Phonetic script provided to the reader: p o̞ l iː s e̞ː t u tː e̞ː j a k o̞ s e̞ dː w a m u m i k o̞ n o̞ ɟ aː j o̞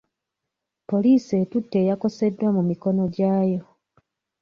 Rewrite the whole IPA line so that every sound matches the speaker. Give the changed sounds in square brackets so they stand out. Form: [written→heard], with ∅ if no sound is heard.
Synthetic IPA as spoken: p o̞ l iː s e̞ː t u tː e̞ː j a k o̞ s e̞ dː w a m u m i k o̞ n o̞ ɟ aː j o̞